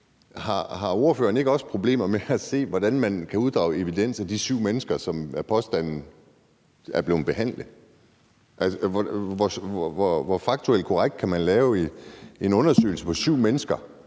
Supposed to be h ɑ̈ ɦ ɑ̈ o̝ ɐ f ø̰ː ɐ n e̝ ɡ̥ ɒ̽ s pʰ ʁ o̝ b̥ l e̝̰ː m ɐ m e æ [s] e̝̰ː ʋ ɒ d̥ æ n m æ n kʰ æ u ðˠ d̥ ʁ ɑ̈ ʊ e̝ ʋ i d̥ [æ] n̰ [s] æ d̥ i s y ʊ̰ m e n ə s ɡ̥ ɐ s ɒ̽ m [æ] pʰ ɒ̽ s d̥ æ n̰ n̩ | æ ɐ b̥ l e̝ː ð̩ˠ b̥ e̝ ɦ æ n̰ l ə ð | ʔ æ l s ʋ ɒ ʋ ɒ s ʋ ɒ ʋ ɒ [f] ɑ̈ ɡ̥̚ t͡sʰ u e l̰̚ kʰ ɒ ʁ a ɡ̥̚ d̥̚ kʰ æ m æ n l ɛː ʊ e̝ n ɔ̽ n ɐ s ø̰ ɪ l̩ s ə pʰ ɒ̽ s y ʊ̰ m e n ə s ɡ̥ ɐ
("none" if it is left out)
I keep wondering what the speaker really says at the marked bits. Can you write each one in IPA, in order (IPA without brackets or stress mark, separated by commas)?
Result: s, e, s, æ, f